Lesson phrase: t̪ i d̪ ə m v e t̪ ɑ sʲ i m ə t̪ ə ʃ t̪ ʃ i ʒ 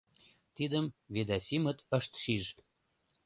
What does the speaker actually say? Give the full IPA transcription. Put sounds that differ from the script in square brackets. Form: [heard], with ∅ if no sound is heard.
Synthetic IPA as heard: t̪ i d̪ ə m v e [d̪] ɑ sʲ i m ə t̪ ə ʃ t̪ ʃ i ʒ

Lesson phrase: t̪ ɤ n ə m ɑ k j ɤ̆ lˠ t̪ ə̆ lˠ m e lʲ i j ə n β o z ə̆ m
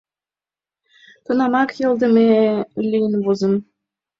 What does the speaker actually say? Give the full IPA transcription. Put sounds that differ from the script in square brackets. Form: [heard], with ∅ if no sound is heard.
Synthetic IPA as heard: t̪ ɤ n [ɑ] m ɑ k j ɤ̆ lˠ [d̪] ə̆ [∅] m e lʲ i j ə n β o z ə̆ m

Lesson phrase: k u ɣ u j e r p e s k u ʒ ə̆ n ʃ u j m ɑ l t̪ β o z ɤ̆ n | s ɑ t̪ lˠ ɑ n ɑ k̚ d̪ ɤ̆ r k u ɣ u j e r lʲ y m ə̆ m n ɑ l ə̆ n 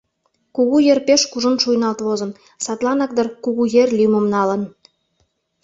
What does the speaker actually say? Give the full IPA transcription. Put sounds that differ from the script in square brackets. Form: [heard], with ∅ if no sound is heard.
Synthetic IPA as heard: k u ɣ u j e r p e [ʃ] k u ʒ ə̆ n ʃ u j [n] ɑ l t̪ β o z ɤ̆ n | s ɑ t̪ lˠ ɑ n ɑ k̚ d̪ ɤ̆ r k u ɣ u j e r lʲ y m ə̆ m n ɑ l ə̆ n

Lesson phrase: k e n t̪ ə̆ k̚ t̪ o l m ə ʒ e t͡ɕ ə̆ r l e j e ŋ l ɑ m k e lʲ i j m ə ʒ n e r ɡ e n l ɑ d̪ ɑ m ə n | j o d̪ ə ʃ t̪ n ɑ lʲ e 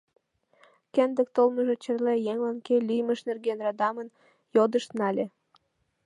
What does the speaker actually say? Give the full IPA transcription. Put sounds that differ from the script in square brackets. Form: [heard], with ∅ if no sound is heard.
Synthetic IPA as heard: k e n [d̪] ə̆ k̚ t̪ o l m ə ʒ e t͡ɕ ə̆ r l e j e ŋ l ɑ [n] k e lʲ i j m ə [ʃ] n e r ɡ e n [r] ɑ d̪ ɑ m ə n | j o d̪ ə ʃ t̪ n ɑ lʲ e

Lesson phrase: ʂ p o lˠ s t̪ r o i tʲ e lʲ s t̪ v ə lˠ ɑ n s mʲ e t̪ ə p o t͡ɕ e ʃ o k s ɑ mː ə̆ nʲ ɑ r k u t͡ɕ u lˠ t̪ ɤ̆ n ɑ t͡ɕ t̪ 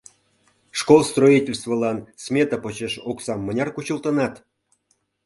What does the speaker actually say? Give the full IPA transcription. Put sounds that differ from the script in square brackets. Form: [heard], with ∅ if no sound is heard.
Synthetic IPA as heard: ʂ [k] o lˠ s t̪ r o i tʲ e lʲ s t̪ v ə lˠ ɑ n s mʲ e t̪ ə p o t͡ɕ e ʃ o k s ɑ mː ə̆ nʲ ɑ r k u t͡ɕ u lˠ t̪ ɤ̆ n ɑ [∅] t̪

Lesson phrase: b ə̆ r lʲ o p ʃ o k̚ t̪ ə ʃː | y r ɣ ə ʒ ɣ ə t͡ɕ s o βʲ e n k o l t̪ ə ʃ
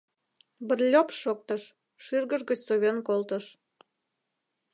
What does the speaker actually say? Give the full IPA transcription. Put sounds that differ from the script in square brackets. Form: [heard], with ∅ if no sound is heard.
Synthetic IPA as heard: b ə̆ r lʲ o p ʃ o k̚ t̪ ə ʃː | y r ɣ ə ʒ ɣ ə t͡ɕ s o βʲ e n k o l t̪ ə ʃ

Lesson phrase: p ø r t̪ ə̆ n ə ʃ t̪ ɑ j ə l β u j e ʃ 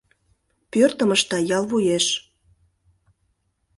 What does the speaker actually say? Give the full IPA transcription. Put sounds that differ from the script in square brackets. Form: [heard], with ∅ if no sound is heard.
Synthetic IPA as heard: p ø r t̪ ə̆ [m] ə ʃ t̪ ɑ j [ɑ] l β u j e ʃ

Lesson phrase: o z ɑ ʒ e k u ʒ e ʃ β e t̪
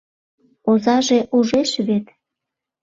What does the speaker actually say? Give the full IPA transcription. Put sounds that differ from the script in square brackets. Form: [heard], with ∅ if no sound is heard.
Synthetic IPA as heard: o z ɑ ʒ e [ʔ] u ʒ e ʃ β e t̪

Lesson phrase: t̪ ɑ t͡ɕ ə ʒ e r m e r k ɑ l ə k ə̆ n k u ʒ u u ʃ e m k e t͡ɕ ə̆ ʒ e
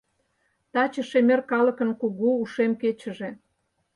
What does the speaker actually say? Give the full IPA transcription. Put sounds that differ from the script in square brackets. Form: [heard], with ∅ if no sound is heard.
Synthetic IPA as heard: t̪ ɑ t͡ɕ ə [ʃ] e [∅] m e r k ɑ l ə k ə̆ n k u [ɣ] u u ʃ e m k e t͡ɕ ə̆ ʒ e

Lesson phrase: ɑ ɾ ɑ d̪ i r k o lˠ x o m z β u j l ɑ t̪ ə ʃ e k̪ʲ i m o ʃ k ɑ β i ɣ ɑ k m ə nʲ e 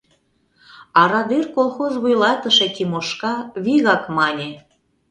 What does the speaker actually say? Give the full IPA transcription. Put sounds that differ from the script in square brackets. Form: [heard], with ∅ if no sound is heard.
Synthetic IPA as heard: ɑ ɾ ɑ d̪ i r k o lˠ x o [∅] z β u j l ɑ t̪ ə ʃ e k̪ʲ i m o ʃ k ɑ β i ɣ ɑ k m [ɑ] nʲ e

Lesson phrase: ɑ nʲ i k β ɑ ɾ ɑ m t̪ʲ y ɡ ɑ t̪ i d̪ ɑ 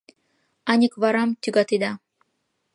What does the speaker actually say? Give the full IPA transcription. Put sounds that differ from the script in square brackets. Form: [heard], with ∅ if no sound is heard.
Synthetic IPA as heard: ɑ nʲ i k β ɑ ɾ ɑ m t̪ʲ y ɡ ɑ t̪ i d̪ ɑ

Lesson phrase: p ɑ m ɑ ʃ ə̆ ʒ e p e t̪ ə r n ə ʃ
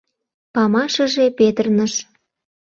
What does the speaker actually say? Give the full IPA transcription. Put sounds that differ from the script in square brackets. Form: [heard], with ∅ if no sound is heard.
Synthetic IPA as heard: p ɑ m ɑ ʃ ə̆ ʒ e p e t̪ ə r n ə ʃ

